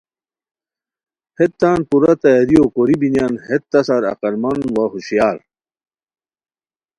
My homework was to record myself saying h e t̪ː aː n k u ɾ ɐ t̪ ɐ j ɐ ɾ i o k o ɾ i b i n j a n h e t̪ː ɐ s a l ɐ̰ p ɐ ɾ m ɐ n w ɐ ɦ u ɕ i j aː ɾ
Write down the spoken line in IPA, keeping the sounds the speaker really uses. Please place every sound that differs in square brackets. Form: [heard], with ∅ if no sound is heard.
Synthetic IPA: h e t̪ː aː n [p] u ɾ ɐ t̪ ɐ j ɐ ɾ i o k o ɾ i b i n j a n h e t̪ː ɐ s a [ɾ] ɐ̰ [q] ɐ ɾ m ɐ n w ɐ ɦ u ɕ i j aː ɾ

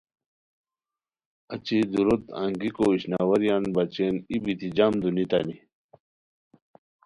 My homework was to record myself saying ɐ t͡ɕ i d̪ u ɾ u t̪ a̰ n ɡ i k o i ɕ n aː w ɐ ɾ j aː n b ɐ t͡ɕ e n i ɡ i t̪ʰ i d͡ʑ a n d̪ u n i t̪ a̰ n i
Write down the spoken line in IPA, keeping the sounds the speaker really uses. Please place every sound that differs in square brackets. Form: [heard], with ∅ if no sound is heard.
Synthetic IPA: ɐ t͡ɕ i d̪ u ɾ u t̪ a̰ [ŋ] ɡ i k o i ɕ n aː w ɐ ɾ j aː n b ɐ t͡ɕ e n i [b] i [t̪] i d͡ʑ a [m] d̪ u n i t̪ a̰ n i

